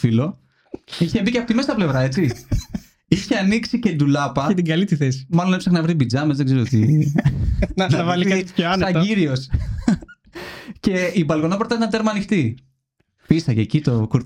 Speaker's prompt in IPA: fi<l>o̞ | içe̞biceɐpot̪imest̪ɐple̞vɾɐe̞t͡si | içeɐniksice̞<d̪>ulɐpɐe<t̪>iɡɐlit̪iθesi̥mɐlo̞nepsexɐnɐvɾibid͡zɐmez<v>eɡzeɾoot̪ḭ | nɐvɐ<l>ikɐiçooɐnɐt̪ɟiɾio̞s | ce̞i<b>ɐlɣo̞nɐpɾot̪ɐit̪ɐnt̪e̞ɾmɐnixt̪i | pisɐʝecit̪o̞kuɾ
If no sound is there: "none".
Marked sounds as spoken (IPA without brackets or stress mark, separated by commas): l, d̪, t̪, ð, l, b